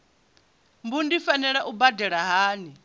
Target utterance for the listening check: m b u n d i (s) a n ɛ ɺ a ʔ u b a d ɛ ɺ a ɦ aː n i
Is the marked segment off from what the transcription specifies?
yes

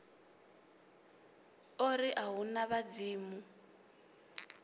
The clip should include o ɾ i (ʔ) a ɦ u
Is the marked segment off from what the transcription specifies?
no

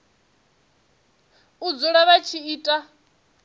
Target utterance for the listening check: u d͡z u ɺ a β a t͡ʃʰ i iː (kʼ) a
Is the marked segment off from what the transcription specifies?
yes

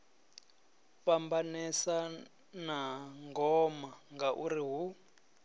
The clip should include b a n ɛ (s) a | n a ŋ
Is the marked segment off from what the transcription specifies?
no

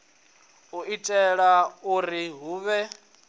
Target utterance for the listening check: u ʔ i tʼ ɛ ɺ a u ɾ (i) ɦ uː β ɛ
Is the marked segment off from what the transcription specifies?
no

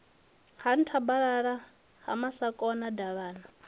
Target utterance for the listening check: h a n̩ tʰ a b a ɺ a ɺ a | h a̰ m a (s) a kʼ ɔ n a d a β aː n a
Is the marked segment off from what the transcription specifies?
no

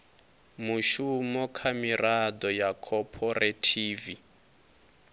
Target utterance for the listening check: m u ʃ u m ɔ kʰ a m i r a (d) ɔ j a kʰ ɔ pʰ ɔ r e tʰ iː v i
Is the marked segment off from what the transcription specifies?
no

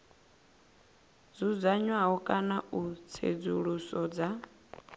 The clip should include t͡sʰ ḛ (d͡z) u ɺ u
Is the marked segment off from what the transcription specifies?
no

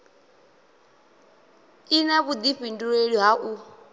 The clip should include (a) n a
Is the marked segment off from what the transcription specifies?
yes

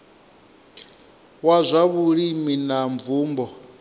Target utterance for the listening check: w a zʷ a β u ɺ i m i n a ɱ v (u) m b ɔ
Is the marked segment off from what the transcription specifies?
yes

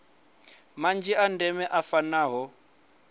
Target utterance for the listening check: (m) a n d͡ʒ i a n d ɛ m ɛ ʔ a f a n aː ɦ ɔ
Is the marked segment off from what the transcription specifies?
no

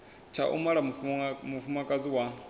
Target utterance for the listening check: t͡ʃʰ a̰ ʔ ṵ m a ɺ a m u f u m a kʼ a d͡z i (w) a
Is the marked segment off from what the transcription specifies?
no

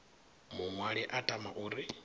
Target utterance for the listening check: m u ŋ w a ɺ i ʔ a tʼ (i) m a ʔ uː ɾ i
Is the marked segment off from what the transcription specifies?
yes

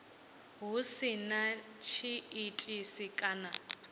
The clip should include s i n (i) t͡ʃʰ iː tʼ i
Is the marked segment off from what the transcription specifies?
yes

